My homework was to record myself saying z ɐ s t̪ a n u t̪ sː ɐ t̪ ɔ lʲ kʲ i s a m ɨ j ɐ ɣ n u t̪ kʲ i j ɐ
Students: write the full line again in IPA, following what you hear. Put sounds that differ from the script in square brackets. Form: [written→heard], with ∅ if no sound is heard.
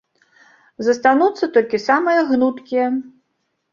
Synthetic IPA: z ɐ s t̪ a n u t̪ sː ɐ t̪ ɔ lʲ kʲ i s a m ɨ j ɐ ɣ n u t̪ kʲ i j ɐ